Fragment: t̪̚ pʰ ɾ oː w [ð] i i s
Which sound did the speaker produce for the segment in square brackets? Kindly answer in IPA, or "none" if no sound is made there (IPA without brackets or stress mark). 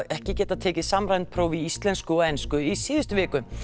v